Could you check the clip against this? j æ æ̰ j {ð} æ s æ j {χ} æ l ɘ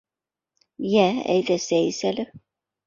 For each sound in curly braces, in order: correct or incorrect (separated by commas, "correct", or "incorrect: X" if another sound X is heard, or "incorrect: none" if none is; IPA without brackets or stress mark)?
correct, incorrect: s